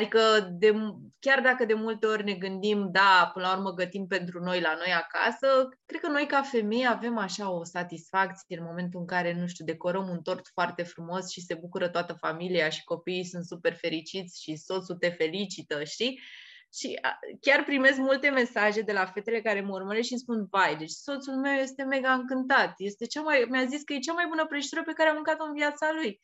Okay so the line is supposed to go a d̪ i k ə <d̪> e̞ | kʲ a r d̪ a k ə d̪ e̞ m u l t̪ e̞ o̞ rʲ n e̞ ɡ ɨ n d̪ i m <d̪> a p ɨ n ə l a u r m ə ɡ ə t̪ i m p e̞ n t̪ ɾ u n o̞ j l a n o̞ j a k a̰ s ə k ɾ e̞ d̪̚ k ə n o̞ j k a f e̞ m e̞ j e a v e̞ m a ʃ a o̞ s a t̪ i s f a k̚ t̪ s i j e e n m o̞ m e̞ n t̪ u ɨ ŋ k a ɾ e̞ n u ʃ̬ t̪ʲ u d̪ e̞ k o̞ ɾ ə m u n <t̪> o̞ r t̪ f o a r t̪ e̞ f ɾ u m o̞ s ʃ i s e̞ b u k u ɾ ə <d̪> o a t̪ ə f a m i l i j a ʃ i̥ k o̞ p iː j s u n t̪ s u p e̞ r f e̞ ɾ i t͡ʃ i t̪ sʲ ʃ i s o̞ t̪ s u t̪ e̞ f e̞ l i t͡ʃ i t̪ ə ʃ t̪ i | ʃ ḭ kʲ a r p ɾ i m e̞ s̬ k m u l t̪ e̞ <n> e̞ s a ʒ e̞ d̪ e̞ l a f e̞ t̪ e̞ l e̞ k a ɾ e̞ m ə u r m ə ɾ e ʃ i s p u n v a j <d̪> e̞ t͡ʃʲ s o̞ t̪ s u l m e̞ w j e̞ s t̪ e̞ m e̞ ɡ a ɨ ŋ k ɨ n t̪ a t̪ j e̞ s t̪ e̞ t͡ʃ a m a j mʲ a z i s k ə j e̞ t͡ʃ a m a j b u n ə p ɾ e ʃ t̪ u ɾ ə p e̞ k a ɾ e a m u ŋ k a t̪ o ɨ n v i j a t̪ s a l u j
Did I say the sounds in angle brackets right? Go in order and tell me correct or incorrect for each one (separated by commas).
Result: correct, correct, correct, incorrect, incorrect, correct